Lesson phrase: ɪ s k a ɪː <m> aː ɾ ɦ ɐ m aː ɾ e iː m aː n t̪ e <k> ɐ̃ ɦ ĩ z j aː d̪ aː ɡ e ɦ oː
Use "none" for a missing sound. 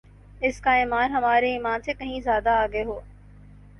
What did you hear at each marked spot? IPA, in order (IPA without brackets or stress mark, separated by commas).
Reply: m, k